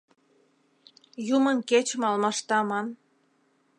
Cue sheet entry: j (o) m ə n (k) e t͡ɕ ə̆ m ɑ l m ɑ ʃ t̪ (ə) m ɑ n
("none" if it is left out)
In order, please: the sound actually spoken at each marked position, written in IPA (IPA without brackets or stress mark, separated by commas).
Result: u, k, ɑ